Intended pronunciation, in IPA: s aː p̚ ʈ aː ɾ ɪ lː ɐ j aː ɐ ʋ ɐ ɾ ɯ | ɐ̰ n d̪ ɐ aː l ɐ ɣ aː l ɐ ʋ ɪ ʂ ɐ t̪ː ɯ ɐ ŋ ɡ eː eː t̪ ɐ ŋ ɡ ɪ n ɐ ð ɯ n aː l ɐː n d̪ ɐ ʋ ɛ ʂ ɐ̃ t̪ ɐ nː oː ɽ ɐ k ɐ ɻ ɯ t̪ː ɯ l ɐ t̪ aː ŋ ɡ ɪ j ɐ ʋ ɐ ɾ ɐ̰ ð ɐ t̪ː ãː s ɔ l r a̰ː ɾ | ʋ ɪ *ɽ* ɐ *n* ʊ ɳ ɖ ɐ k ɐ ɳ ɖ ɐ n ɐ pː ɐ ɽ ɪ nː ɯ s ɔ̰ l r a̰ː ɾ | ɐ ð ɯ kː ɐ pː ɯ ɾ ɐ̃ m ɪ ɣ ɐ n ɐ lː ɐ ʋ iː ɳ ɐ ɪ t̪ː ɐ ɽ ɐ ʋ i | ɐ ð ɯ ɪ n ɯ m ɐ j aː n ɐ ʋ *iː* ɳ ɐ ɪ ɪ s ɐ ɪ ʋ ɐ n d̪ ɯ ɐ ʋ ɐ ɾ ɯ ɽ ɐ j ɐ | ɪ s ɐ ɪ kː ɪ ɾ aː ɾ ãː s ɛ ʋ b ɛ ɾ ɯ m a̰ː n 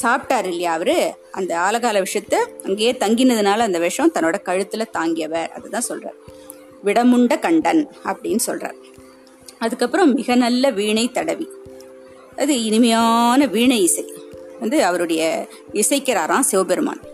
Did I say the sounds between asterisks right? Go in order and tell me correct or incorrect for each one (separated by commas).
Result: correct, incorrect, correct